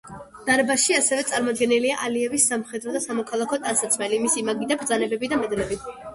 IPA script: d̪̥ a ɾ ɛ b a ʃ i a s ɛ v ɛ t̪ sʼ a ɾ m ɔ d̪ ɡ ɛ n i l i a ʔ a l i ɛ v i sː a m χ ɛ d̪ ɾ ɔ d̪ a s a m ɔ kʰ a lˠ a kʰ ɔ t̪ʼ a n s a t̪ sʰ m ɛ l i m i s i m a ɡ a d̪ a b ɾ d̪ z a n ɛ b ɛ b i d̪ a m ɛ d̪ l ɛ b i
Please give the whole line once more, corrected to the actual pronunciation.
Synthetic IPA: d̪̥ a ɾ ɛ b a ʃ i a s ɛ v ɛ t̪ sʼ a ɾ m ɔ d̪ ɡ ɛ n i l i a ʔ a l i ɛ v i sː a m χ ɛ d̪ ɾ ɔ d̪ a s a m ɔ kʰ a lˠ a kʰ ɔ t̪ʼ a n s a t̪ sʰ m ɛ l i m i s i m a ɡ i d̪ a b ɾ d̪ z a n ɛ b ɛ b i d̪ a m ɛ d̪ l ɛ b i